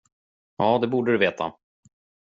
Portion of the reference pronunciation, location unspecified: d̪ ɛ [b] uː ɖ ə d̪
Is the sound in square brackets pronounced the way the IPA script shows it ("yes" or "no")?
yes